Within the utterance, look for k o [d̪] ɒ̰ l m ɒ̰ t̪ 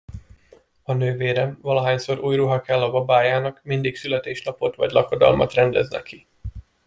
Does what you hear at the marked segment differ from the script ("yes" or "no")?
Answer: no